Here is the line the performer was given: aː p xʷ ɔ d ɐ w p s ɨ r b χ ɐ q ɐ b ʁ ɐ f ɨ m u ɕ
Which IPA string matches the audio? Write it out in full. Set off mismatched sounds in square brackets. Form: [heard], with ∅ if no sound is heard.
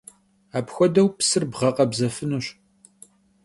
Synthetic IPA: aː p xʷ ɔ d ɐ w p s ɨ r b [ʁ] ɐ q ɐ b [z] ɐ f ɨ [n] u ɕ